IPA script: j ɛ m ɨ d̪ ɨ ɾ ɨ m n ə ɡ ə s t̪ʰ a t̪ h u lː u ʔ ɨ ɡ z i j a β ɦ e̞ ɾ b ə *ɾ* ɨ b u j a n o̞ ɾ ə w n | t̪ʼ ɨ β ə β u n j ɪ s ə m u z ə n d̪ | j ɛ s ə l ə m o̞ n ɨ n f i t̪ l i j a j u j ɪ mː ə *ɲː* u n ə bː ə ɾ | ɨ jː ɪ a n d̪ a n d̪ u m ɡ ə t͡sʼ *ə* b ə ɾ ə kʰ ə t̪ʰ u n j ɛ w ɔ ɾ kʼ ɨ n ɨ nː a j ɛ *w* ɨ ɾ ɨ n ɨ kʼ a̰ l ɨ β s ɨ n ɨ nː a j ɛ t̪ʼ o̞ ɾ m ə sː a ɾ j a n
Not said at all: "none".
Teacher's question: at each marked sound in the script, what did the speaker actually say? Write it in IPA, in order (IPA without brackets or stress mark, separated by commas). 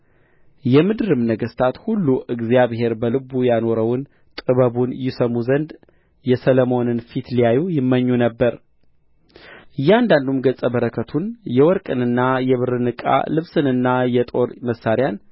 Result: l, ɲː, ə, β